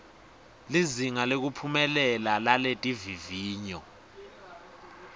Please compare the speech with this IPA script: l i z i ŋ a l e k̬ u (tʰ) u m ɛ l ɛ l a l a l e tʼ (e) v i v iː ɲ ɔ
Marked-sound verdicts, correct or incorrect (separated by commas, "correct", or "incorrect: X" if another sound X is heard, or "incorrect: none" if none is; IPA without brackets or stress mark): incorrect: pʰ, incorrect: i